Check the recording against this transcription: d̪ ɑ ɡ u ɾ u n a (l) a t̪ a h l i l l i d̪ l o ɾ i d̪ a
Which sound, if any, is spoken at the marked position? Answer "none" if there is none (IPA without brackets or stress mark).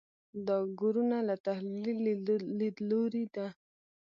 l